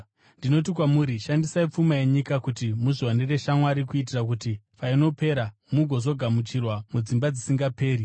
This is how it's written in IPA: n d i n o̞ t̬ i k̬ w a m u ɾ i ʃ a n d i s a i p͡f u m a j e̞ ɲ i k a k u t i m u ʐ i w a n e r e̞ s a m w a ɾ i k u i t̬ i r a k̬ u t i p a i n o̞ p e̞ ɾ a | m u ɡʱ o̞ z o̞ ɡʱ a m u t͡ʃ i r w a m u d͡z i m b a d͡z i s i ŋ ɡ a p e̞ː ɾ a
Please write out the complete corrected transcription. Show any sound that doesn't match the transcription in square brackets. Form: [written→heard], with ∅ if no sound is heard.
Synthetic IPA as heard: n d i n o̞ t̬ i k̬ w a m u ɾ i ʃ a n d i s a i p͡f u m a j e̞ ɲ i k a k u t i m u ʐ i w a n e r e̞ [s→ʃ] a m w a ɾ i k u i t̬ i r a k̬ u t i p a i n o̞ p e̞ ɾ a | m u ɡʱ o̞ z o̞ ɡʱ a m u t͡ʃ i r w a m u d͡z i m b a d͡z i s i ŋ ɡ a p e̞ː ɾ [a→i]

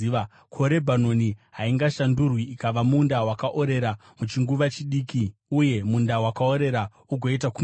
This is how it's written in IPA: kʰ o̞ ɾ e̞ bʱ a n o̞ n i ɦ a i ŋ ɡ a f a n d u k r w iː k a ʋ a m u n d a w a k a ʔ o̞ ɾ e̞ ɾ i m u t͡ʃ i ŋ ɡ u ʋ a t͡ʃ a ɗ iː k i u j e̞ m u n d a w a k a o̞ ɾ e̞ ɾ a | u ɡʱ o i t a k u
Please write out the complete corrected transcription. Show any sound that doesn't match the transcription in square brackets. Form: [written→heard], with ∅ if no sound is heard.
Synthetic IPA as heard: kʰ o̞ ɾ e̞ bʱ a n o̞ n i ɦ a i ŋ ɡ a [f→ʃ] a n d u [k→∅] r w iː k a ʋ a m u n d a w a k a ʔ o̞ ɾ e̞ ɾ [i→a] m u t͡ʃ i ŋ ɡ u ʋ a t͡ʃ [a→i] ɗ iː k i u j e̞ m u n d a w a k a o̞ ɾ e̞ ɾ a | u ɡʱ o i t a k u

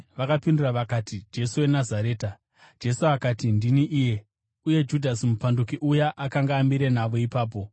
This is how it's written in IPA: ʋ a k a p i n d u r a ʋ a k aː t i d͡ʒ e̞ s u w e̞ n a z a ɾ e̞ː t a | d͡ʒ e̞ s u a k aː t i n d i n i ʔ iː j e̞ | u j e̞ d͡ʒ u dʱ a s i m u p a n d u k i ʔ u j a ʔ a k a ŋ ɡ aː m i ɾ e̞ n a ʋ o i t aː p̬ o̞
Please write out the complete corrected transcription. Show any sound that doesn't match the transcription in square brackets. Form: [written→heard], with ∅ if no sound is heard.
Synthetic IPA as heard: ʋ a k a p i n d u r a ʋ a k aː t i d͡ʒ e̞ s u w e̞ n a z a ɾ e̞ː t a | d͡ʒ e̞ s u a k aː t i n d i n i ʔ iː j e̞ | u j e̞ d͡ʒ u dʱ a s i m u p a n d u k i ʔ u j a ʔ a k a ŋ ɡ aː m i ɾ e̞ n a ʋ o i [t→p] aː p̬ o̞

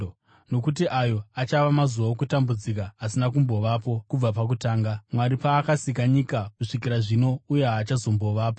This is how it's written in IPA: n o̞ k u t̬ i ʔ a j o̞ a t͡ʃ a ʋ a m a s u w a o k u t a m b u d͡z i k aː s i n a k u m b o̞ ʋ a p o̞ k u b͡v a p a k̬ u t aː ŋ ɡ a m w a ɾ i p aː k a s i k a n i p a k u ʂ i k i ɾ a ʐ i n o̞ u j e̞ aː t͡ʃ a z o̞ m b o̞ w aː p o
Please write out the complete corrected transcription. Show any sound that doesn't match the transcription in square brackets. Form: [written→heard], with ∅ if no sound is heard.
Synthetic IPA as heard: n o̞ k u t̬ i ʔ a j o̞ a t͡ʃ a ʋ a m a [s→z] u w a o k u t a m b u d͡z i k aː s i n a k u m b o̞ ʋ a p o̞ k u b͡v a p a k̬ u t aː ŋ ɡ a m w a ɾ i p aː k a s i k a [n→ɲ] i [p→k] a k u ʂ i k i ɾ a ʐ i n o̞ u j e̞ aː t͡ʃ a z o̞ m b o̞ [w→ʋ] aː p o

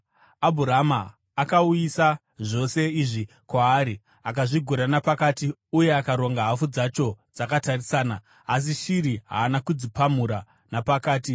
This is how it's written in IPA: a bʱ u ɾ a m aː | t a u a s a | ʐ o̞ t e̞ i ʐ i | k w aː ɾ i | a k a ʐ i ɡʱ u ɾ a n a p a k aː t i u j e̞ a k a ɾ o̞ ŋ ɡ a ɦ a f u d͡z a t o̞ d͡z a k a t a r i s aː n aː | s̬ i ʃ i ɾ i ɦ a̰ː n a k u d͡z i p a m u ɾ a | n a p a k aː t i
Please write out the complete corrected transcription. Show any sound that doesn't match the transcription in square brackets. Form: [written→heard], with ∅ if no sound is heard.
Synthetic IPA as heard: a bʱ u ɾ a m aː | [t→k] a u [a→i] s a | ʐ o̞ [t→s] e̞ i ʐ i | k w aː ɾ i | a k a ʐ i ɡʱ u ɾ a n a p a k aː t i u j e̞ a k a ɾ o̞ ŋ ɡ a ɦ a f u d͡z a [t→t͡ʃ] o̞ d͡z a k a t a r i s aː n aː | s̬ i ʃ i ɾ i ɦ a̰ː n a k u d͡z i p a m u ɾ a | n a p a k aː t i

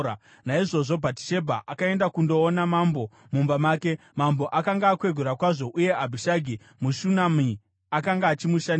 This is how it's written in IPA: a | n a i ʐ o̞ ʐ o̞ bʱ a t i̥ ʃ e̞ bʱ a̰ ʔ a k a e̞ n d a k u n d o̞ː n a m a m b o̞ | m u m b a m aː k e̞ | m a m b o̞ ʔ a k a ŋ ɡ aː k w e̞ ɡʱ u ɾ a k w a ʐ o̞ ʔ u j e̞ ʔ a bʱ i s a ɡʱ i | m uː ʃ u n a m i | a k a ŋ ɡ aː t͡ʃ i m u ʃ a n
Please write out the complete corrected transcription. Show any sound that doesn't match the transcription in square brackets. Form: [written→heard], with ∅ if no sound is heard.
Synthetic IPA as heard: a | n a i ʐ o̞ ʐ o̞ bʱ a t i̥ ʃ e̞ bʱ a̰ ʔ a k a e̞ n d a k u n d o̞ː n a m a m b o̞ | m u m b a m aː k e̞ | m a m b o̞ ʔ a k a ŋ ɡ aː k w e̞ ɡʱ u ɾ a k w a ʐ o̞ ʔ u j e̞ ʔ a bʱ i [s→ʃ] a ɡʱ i | m [uː→u] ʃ u n a m i | a k a ŋ ɡ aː t͡ʃ i m u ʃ a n

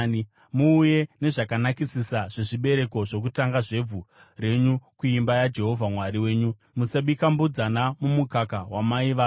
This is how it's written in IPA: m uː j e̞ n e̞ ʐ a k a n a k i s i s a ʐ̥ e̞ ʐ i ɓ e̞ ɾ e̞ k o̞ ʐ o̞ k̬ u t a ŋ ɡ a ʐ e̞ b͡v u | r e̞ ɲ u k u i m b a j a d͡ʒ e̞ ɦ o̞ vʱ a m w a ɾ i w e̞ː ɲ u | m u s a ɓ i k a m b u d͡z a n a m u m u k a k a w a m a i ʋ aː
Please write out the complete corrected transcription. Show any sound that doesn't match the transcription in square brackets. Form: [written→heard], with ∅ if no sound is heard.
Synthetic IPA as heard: m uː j e̞ n e̞ ʐ a k a n a k i s i s a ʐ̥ e̞ ʐ i ɓ e̞ ɾ e̞ k o̞ ʐ o̞ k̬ u t a ŋ ɡ a ʐ e̞ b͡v u | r e̞ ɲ u k u i m b a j a d͡ʒ e̞ ɦ o̞ vʱ a m w a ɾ i w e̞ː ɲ u | m u s a ɓ i k a m b u d͡z a n a m u m u k a k a w a m a i ʋ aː

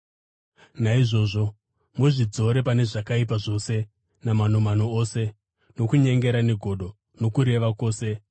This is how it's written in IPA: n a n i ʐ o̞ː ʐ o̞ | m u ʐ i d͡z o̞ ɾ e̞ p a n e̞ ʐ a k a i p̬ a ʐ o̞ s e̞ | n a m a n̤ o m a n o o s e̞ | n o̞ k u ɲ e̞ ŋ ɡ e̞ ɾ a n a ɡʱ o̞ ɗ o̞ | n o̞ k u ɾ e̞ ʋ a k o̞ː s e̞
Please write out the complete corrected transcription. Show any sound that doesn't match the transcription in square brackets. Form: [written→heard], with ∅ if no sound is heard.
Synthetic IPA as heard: n a [n→∅] i ʐ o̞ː ʐ o̞ | m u ʐ i d͡z o̞ ɾ e̞ p a n e̞ ʐ a k a i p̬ a ʐ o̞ s e̞ | n a m a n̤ o m a n o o s e̞ | n o̞ k u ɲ e̞ ŋ ɡ e̞ ɾ a n [a→e] ɡʱ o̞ ɗ o̞ | n o̞ k u ɾ e̞ ʋ a k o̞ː s e̞

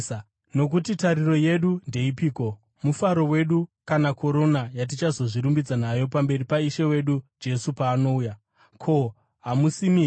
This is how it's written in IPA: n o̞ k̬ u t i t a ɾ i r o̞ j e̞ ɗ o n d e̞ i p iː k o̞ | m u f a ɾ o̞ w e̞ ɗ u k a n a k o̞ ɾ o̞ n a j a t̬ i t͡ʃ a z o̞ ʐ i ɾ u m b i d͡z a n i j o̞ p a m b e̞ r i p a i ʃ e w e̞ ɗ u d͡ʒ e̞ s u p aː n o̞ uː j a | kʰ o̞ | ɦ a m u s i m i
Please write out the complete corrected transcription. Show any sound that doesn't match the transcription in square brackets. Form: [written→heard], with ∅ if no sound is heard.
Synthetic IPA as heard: n o̞ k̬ u t i t a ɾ i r o̞ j e̞ ɗ [o→u] n d e̞ i p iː k o̞ | m u f a ɾ o̞ w e̞ ɗ u k a n a k o̞ ɾ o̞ n a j a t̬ i t͡ʃ a z o̞ ʐ i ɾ u m b i d͡z a n [i→a] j o̞ p a m b e̞ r i p a i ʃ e w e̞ ɗ u d͡ʒ e̞ s u p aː n o̞ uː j a | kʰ o̞ | ɦ a m u s i m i

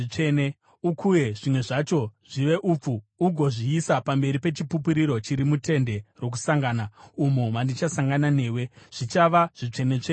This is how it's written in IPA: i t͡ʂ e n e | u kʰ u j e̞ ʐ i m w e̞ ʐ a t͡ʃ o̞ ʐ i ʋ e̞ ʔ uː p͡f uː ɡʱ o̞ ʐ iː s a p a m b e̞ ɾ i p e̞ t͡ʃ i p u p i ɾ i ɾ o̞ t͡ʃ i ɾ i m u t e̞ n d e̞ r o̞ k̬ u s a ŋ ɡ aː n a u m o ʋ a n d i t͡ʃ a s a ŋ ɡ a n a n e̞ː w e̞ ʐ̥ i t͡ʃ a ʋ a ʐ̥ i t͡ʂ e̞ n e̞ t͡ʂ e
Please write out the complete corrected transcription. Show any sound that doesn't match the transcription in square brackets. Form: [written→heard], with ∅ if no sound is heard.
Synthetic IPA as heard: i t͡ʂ e n e | u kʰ u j e̞ ʐ i m w e̞ ʐ a t͡ʃ o̞ ʐ i ʋ e̞ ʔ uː p͡f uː ɡʱ o̞ ʐ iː s a p a m b e̞ ɾ i p e̞ t͡ʃ i p u p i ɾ i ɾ o̞ t͡ʃ i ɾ i m u t e̞ n d e̞ r o̞ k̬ u s a ŋ ɡ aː n a u m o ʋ a n d i t͡ʃ a s a ŋ ɡ a n a n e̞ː w e̞ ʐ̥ i t͡ʃ a ʋ a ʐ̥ i t͡ʂ e̞ n e̞ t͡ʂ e

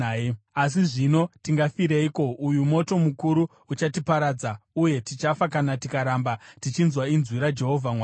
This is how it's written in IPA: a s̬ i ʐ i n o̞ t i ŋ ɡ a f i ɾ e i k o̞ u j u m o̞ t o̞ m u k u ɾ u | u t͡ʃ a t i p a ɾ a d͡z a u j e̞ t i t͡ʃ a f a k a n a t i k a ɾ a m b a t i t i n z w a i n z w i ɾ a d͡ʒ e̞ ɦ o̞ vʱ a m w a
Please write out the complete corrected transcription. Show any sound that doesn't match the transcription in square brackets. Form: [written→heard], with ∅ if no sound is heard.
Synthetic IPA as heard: a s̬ i ʐ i n o̞ t i ŋ ɡ a f i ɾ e i k o̞ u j u m o̞ t o̞ m u k u ɾ u | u t͡ʃ a t i p a ɾ a d͡z a u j e̞ t i t͡ʃ a f a k a n a t i k a ɾ a m b a t i [t→t͡ʃ] i n z w a i n z w i ɾ a d͡ʒ e̞ ɦ o̞ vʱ a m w a

